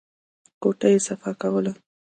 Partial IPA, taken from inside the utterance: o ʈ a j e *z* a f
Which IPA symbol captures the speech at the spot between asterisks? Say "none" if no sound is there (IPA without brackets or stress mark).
s